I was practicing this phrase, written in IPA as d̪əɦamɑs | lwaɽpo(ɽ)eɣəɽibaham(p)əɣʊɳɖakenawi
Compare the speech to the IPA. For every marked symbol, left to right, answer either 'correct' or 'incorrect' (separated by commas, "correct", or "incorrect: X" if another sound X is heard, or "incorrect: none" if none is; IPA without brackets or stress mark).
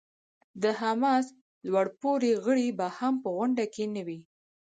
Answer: incorrect: ɾ, correct